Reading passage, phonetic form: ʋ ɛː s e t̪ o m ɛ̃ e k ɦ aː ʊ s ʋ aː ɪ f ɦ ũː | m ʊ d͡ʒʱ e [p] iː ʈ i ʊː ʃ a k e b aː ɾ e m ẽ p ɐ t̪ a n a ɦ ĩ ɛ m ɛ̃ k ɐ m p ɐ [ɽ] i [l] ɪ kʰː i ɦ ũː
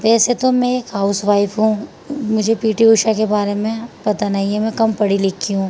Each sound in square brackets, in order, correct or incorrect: correct, correct, correct

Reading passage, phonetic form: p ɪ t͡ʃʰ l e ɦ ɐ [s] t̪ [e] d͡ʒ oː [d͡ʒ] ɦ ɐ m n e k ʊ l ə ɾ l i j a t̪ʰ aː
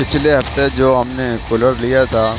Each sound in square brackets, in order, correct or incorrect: incorrect, correct, incorrect

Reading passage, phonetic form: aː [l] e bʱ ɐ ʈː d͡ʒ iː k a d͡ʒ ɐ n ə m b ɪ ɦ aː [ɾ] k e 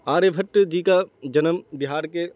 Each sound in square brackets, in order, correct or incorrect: incorrect, correct

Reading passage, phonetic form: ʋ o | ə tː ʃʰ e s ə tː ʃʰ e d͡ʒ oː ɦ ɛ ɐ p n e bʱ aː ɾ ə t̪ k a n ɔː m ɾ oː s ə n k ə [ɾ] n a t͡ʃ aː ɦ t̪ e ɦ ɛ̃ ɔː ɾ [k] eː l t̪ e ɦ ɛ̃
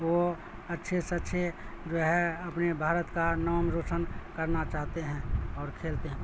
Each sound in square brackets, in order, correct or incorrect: correct, incorrect

